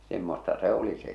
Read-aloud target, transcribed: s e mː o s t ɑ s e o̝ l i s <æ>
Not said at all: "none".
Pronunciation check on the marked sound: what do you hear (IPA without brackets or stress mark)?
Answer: e